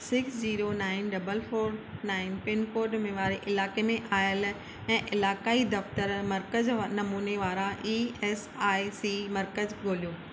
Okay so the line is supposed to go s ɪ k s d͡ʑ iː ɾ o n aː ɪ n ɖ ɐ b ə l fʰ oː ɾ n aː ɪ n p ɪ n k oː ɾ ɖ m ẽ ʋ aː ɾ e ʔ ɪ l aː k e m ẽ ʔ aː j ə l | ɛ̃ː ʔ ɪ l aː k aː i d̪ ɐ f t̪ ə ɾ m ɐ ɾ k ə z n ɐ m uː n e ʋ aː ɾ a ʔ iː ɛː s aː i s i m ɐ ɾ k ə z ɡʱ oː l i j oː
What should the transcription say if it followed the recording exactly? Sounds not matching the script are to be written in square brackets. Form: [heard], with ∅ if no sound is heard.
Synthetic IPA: s ɪ k s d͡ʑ iː ɾ o n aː ɪ n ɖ ɐ b ə l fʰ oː ɾ n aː ɪ n p ɪ n k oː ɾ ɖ m ẽ ʋ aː ɾ e ʔ ɪ l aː k e m ẽ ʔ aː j ə l | ɛ̃ː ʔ ɪ l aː k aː i d̪ ɐ f t̪ ə ɾ m ɐ ɾ k ə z n ɐ m uː n e ʋ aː ɾ a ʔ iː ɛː s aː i s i m ɐ ɾ k ə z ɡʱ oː l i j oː